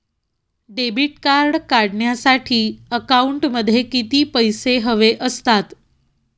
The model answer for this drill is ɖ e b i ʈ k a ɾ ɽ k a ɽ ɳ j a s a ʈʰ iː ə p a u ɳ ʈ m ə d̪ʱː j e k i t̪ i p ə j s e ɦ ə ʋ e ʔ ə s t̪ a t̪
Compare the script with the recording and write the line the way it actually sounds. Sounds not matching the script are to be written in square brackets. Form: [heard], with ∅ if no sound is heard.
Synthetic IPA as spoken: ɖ e b i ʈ k a ɾ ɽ k a ɽ ɳ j a s a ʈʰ iː ə [k] a u ɳ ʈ m ə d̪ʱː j e k i t̪ [iː] p ə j s e ɦ ə ʋ e ʔ ə s t̪ a t̪